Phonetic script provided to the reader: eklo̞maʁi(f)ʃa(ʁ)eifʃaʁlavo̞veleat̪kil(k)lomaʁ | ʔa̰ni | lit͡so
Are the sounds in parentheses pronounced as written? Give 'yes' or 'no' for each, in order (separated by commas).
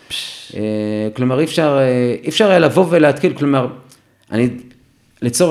yes, yes, yes